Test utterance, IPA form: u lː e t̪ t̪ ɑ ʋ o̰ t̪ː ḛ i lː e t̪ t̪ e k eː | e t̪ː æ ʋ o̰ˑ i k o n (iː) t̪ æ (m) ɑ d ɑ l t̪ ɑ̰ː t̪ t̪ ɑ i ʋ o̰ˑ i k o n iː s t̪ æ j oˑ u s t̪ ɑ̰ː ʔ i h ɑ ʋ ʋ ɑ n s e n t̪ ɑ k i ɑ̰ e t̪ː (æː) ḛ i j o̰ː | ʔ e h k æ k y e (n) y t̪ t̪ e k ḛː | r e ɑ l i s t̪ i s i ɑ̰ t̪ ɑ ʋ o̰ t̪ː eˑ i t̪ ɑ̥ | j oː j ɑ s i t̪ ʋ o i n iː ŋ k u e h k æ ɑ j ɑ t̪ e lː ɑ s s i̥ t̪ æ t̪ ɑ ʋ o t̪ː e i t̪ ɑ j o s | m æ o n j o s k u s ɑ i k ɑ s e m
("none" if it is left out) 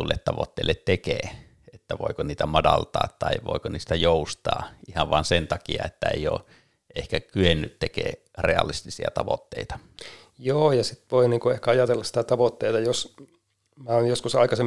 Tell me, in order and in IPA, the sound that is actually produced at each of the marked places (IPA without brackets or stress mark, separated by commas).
iː, m, æ, nː